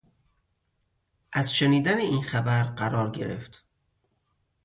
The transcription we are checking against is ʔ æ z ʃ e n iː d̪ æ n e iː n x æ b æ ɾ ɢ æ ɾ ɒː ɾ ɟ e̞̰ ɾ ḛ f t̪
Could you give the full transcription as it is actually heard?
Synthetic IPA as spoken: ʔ æ z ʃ e n iː d̪ æ n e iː n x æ b æ ɾ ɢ æ ɾ ɒː ɾ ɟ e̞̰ ɾ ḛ f t̪